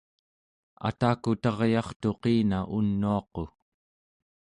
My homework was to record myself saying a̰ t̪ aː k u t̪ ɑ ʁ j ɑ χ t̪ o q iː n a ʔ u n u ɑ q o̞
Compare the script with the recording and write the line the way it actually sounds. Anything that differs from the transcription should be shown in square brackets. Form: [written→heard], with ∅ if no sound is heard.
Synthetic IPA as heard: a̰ t̪ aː k u t̪ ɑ ʁ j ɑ χ t̪ o q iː n a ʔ u [n→nː] u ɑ q o̞